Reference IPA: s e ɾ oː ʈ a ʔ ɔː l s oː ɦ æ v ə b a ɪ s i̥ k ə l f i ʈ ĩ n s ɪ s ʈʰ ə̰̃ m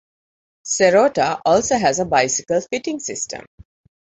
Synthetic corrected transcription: s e ɾ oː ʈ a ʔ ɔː l s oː ɦ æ z ə b a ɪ s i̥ k ə l f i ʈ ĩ ŋ s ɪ s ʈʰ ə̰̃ m